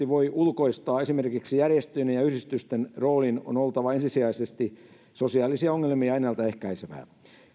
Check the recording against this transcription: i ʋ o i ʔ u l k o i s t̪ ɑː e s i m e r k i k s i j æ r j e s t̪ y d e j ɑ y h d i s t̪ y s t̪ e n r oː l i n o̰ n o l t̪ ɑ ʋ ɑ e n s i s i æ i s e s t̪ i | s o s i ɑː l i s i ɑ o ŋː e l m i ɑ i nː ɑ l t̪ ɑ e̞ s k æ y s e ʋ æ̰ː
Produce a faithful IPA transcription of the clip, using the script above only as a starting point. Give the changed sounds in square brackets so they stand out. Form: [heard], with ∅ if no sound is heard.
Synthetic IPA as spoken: i ʋ o i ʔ u l k o i s t̪ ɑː e s i m e r k i k s i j æ r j e s t̪ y [n] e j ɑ y h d i s t̪ y s t̪ e n r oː l i n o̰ n o l t̪ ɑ ʋ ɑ e n s i s i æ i s e s t̪ i | s o s i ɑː l i s i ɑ o ŋː e l m i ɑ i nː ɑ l t̪ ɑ e̞ [h] k æ [i] s e ʋ æ̰ː